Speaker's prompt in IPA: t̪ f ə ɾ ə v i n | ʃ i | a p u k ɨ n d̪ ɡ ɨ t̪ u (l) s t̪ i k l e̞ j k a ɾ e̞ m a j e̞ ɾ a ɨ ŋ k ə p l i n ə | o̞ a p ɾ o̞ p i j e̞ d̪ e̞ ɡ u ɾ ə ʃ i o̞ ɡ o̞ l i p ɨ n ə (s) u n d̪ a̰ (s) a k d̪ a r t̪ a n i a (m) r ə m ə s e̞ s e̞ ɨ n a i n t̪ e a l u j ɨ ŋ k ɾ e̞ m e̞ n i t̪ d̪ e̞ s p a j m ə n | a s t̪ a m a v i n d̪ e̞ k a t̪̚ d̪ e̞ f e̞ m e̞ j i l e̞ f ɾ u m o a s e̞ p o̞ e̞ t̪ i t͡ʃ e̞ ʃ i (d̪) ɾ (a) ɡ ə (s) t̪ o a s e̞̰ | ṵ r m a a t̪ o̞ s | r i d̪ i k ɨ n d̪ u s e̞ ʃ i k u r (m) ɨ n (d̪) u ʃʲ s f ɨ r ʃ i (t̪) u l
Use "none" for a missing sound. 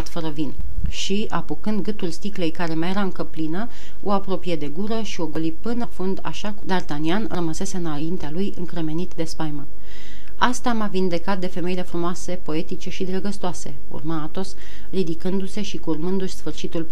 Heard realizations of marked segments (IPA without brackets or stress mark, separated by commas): l, f, ʃ, n, d̪, ə, s, m, d̪, t̪